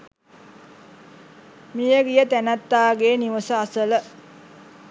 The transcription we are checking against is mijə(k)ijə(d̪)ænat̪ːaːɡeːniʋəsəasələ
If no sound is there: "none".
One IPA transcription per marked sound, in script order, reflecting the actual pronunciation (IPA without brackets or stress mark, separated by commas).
ɡ, t̪